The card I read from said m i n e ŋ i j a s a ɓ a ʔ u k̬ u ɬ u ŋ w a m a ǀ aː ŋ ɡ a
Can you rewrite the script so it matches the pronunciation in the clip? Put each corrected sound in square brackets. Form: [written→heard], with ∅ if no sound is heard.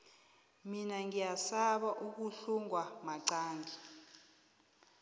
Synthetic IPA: m i n [e→a] ŋ i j a s a ɓ a ʔ u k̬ u ɬ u ŋ w a m a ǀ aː ŋ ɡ [a→i]